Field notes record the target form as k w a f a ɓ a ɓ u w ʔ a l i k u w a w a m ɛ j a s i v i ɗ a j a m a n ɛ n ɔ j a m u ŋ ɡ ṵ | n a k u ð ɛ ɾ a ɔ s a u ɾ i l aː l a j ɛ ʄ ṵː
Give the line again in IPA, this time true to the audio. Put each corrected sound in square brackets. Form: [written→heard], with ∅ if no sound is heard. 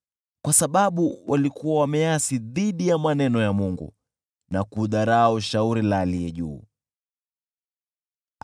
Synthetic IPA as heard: k w a [f→s] a ɓ a ɓ u w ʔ a l i k u w a w a m ɛ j a s i [v→ð] i ɗ [a→i] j a m a n ɛ n ɔ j a m u ŋ ɡ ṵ | n a k u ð [ɛ→a] ɾ a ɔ [s→ʃ] a u ɾ i l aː l [a→i] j ɛ ʄ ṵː

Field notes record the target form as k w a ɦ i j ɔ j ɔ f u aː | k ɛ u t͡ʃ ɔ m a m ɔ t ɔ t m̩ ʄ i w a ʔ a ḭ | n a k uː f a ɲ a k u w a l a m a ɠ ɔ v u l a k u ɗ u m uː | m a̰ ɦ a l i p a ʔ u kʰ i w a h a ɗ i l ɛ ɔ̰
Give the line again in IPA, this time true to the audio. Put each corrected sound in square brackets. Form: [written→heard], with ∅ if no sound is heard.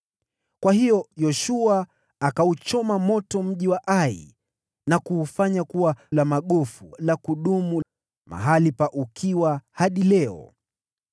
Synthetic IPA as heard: k w a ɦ i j ɔ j ɔ [f→ʃ] u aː | k [ɛ→a] u t͡ʃ ɔ m a m ɔ t ɔ [t→∅] m̩ ʄ i w a ʔ a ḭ | n a k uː f a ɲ a k u w a l a m a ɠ ɔ [v→f] u l a k u ɗ u m [uː→u] | m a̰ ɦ a l i p a ʔ u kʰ i w a h a ɗ i l ɛ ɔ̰

